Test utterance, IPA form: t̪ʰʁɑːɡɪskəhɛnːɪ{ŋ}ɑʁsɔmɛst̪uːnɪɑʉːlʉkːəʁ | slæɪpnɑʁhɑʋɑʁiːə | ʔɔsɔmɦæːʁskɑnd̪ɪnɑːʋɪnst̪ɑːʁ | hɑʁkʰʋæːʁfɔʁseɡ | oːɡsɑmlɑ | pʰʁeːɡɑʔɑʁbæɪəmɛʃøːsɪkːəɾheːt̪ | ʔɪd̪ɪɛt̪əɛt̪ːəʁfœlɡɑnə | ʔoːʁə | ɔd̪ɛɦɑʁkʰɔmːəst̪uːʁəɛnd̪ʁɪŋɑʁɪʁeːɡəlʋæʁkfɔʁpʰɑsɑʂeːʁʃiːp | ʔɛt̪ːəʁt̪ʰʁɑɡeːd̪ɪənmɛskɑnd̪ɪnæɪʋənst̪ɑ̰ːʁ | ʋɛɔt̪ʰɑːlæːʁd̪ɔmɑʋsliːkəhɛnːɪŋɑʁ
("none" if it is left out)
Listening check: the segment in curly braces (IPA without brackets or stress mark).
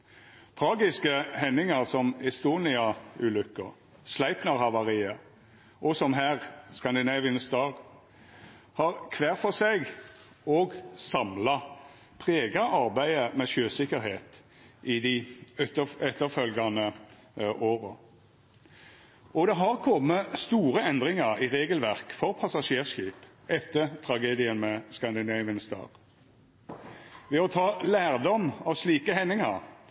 ŋ